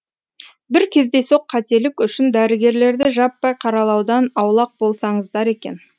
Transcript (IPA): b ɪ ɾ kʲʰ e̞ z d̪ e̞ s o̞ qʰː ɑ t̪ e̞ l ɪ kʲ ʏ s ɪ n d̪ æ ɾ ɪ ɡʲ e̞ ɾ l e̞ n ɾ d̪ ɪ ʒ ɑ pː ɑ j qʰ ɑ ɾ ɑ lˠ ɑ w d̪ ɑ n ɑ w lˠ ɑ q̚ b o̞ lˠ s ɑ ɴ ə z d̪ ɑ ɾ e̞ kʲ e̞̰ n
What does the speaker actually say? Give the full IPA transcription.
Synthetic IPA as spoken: b ɪ ɾ kʲʰ e̞ z d̪ e̞ s o̞ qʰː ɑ t̪ e̞ l ɪ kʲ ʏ ʃ ɪ n d̪ æ ɾ ɪ ɡʲ e̞ ɾ l e̞ ɾ d̪ ɪ ʒ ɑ pː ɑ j qʰ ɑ ɾ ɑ lˠ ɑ w d̪ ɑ n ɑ w lˠ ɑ q̚ b o̞ lˠ s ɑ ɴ ə z d̪ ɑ ɾ e̞ kʲ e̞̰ n